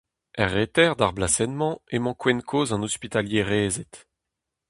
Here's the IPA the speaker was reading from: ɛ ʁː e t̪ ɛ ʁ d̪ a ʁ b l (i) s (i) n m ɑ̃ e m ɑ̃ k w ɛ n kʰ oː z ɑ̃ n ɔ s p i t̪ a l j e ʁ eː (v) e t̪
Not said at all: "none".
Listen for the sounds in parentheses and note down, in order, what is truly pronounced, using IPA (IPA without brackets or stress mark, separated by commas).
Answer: a, ɛ, z